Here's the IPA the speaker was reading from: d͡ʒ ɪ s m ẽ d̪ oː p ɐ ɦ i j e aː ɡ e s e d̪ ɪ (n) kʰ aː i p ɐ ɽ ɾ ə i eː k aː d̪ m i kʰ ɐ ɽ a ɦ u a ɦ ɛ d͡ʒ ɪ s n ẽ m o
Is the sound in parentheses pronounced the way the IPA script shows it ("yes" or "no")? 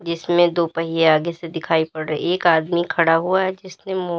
no